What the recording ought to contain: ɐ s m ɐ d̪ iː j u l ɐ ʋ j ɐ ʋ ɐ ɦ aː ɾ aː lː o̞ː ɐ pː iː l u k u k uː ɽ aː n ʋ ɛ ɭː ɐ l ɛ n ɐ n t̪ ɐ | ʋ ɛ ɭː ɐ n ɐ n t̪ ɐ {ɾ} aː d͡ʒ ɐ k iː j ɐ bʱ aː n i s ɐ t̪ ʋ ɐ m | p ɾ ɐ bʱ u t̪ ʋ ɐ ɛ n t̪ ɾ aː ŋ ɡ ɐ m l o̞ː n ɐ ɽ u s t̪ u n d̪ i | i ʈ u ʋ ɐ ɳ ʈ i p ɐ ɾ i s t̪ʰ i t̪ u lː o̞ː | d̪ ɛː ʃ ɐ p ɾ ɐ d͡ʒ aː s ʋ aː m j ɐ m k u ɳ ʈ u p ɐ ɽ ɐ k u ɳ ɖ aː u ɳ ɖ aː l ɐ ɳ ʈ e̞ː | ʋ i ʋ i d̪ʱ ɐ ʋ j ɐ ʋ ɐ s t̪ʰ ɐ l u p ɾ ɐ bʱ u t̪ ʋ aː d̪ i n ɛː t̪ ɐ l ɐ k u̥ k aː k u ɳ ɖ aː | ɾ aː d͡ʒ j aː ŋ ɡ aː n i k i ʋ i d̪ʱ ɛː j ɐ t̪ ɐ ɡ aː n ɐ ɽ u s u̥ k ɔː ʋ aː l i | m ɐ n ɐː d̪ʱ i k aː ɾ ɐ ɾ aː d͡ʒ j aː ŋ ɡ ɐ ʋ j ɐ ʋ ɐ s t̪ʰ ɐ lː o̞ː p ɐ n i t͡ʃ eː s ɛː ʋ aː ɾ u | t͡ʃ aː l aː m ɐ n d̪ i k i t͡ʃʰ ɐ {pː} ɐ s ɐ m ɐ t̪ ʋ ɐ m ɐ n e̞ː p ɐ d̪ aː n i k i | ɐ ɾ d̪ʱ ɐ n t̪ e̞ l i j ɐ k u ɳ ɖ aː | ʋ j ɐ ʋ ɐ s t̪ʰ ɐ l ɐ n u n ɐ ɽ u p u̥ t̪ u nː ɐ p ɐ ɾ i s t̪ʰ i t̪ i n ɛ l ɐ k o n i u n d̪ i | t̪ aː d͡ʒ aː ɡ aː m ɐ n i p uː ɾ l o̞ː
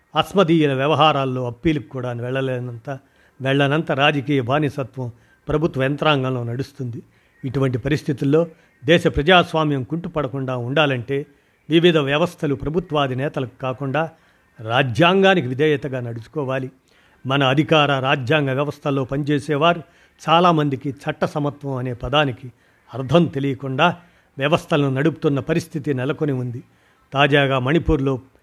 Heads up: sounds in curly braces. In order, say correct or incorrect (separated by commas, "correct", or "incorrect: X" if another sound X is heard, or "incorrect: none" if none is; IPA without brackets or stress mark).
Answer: correct, incorrect: ʈː